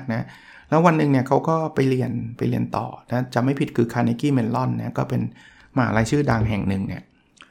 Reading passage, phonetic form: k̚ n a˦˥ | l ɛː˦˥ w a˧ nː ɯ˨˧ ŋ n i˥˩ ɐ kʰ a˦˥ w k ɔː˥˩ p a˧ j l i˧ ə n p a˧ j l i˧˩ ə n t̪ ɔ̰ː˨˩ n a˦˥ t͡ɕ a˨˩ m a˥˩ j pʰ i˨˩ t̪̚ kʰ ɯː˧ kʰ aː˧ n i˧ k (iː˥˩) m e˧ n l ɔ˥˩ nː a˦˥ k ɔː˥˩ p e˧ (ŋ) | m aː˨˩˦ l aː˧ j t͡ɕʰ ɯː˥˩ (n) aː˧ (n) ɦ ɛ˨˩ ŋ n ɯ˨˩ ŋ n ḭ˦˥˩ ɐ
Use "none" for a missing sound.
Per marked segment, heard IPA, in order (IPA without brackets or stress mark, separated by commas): iː˥˩, n, d, ŋ